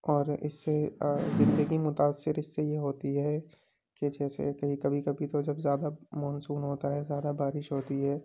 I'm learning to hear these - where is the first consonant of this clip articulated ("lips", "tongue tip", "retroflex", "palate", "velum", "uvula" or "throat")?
tongue tip